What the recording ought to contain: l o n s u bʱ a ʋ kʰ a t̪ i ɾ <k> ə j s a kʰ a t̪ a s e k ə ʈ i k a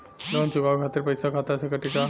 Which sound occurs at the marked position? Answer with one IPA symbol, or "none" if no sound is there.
p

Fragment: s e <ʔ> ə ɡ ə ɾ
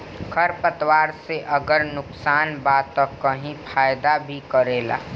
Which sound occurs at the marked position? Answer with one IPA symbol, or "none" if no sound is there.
ʔ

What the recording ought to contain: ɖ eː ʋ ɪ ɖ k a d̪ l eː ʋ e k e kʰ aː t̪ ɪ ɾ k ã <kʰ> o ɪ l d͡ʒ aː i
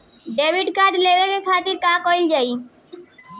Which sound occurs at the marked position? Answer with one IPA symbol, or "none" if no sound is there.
k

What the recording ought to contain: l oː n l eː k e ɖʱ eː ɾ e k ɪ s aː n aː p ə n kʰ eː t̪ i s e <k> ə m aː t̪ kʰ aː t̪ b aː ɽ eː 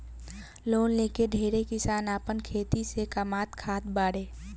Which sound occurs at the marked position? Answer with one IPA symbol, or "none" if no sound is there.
k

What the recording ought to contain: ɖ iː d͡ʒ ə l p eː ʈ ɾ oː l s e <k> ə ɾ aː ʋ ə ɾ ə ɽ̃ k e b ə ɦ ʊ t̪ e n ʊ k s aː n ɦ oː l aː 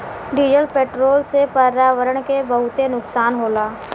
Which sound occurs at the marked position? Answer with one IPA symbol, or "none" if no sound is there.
p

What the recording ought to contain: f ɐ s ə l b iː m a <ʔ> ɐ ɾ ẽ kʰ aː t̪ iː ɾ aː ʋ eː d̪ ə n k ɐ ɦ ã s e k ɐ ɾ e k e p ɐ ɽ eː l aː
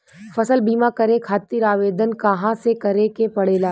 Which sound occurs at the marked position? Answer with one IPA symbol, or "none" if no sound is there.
k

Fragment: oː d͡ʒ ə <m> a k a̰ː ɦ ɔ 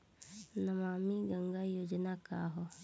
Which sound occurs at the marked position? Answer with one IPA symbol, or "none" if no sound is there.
n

